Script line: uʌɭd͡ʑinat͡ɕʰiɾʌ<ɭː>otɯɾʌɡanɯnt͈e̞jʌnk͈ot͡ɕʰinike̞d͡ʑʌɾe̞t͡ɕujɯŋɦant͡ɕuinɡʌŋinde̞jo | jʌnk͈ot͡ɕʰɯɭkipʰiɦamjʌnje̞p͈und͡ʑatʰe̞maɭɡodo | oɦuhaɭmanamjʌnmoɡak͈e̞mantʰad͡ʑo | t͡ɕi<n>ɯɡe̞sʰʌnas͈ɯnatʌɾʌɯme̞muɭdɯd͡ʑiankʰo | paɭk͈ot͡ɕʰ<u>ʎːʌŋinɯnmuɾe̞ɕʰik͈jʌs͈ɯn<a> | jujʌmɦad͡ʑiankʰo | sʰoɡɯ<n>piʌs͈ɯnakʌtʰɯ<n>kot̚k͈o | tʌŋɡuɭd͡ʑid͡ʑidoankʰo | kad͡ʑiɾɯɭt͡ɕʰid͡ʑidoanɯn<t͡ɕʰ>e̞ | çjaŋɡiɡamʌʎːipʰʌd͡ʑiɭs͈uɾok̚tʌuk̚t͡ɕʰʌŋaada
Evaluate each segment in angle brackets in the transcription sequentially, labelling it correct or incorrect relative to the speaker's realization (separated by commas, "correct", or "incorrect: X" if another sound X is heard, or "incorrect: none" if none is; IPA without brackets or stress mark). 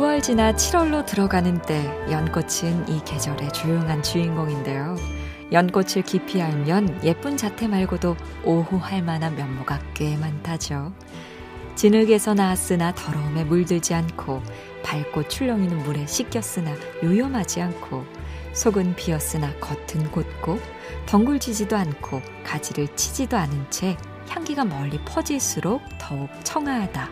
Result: correct, correct, correct, correct, correct, correct, correct